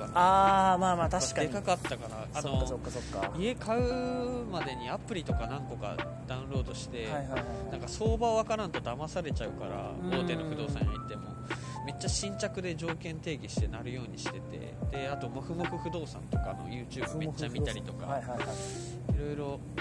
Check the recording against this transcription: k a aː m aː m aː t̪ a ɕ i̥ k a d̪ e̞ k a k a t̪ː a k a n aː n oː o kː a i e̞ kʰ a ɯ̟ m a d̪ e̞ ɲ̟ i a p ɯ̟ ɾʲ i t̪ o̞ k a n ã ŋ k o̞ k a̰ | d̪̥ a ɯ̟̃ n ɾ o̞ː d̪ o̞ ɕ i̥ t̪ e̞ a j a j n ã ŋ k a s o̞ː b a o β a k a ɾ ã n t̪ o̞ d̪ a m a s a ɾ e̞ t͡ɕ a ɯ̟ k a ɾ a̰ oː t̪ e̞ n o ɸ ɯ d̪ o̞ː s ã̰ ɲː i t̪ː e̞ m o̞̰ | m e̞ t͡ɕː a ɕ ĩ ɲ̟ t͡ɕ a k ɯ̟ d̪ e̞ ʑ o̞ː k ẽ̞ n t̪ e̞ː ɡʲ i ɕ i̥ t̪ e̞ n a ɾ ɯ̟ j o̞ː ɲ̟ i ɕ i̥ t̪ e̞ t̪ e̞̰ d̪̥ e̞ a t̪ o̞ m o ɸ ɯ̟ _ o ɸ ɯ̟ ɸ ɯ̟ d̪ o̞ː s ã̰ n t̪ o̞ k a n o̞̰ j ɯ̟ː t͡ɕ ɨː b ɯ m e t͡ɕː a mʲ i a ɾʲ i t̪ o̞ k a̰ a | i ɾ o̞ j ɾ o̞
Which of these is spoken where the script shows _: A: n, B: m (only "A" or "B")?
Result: B